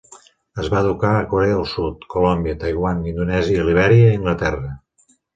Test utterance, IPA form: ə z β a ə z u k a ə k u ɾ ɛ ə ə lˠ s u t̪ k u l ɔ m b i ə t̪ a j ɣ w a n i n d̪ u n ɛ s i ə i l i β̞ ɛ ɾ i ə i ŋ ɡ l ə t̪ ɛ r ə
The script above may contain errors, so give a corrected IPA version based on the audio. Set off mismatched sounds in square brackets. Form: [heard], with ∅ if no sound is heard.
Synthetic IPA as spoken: ə z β a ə [ð] u k a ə k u ɾ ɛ ə ə lˠ s u t̪ k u l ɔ m b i ə t̪ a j ɣ w a n i n d̪ u n ɛ [z] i ə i l i β̞ ɛ ɾ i ə i ŋ ɡ l ə t̪ ɛ r ə